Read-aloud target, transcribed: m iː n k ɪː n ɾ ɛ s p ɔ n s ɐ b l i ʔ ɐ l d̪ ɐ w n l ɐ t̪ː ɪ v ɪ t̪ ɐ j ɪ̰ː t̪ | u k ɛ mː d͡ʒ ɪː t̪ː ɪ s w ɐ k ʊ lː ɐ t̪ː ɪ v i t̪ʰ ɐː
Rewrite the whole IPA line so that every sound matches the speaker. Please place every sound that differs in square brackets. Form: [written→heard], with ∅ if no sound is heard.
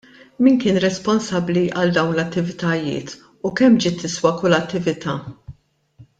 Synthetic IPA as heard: m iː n k ɪː n ɾ ɛ s p ɔ n s ɐ b l i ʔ ɐ l d̪ ɐ w n l ɐ t̪ː ɪ v ɪ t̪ ɐ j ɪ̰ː t̪ | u k ɛ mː d͡ʒ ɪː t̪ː ɪ s w ɐ k ʊ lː ɐ t̪ː ɪ v [i→ɪ] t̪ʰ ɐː